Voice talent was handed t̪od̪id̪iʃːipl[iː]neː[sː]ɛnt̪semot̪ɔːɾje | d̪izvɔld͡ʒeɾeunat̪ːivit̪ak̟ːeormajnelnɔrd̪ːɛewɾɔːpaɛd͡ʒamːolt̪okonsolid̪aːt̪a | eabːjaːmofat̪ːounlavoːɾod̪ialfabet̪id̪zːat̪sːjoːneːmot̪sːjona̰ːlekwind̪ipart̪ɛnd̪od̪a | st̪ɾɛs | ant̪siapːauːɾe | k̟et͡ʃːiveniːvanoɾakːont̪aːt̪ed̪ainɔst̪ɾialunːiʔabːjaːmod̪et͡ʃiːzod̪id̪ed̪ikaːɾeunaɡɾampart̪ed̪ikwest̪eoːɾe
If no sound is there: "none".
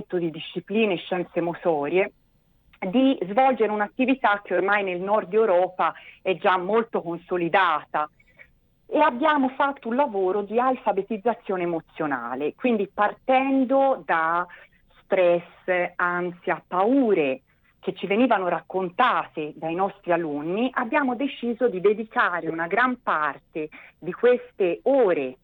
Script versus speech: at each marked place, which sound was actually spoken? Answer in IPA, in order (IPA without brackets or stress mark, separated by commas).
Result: iː, ʃː